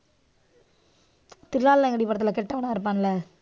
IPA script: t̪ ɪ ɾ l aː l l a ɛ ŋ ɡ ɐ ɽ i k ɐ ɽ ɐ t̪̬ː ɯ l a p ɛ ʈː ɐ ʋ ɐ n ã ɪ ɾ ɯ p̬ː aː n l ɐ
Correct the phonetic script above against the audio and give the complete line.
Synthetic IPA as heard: t̪ ɪ ɾ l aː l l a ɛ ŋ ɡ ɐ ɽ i p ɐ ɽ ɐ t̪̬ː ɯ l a k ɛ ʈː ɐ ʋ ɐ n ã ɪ ɾ ɯ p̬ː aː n l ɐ